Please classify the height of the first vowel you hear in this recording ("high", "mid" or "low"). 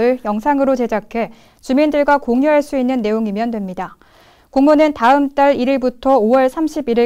high